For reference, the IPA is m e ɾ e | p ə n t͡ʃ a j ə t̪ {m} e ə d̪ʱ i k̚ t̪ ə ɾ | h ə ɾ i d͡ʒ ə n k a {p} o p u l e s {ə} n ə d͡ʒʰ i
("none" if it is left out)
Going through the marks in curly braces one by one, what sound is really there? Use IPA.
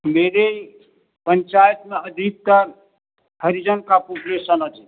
m, p, ə

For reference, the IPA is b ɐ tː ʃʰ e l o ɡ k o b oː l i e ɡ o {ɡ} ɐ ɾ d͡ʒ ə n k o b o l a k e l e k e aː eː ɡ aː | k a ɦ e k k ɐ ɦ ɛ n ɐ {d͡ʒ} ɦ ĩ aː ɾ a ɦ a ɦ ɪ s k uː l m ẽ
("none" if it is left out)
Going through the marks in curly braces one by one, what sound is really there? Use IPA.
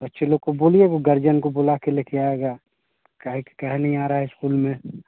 ɡ, none

